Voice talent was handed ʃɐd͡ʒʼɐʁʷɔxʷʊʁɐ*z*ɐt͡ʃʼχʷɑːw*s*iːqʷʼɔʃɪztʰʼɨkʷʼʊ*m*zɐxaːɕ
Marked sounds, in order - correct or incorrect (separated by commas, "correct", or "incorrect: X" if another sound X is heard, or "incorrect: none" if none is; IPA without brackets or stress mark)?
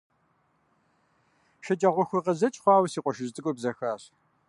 correct, correct, incorrect: b